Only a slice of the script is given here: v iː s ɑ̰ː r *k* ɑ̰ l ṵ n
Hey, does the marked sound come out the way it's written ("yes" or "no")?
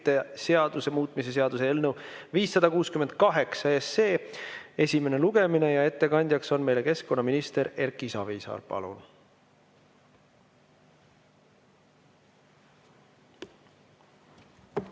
no